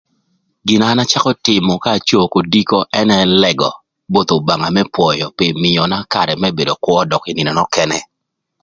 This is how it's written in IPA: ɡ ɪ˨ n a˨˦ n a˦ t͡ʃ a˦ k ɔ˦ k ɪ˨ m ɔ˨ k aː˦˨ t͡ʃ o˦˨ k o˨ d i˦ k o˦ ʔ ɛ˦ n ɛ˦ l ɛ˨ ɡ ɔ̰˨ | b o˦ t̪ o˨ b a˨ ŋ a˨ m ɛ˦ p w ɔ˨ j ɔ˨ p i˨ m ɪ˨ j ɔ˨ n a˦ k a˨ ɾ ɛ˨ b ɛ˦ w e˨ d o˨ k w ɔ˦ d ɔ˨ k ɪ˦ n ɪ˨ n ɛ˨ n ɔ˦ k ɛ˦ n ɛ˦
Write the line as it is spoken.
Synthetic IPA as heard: ɡ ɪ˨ n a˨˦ n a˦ t͡ʃ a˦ k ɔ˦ t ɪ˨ m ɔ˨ k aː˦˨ t͡ʃ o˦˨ k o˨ d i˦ k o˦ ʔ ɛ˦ n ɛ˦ l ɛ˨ ɡ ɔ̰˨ | b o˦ t̪ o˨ b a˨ ŋ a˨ m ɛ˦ p w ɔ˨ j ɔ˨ p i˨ m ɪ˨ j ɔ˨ n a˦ k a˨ ɾ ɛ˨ m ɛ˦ b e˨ d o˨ k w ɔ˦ d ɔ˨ k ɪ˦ n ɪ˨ n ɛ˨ n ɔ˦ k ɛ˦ n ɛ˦